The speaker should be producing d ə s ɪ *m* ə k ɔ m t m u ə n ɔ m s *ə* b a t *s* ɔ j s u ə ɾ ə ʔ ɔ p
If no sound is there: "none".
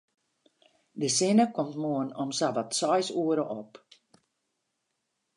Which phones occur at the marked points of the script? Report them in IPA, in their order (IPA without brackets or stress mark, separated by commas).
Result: n, a, s